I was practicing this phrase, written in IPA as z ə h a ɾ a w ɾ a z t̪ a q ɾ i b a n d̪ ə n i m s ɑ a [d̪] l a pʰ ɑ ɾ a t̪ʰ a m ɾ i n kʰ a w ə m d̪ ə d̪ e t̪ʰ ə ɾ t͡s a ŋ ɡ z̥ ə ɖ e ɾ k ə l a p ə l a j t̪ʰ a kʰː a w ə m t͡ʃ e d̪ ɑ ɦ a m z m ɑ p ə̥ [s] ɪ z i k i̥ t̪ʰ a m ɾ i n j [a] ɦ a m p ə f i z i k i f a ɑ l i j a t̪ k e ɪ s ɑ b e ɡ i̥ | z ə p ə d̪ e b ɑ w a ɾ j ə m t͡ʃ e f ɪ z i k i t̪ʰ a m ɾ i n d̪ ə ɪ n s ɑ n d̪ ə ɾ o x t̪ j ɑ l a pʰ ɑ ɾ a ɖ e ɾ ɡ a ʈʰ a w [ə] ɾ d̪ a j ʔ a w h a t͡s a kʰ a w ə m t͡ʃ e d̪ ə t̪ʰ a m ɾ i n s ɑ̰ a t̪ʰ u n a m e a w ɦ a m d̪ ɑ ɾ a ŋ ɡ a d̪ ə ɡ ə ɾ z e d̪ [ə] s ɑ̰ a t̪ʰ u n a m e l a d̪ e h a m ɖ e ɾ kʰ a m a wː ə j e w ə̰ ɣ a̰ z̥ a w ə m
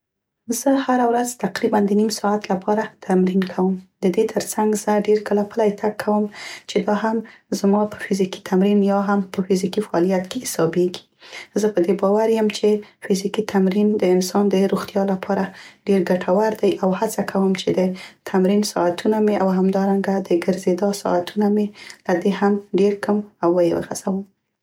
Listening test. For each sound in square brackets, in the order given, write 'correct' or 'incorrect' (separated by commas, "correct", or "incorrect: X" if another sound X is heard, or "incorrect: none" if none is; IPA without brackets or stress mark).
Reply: incorrect: t̪, incorrect: f, incorrect: ɑ, incorrect: a, incorrect: ɑ